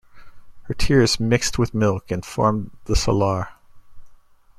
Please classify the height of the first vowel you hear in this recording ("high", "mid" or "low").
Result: mid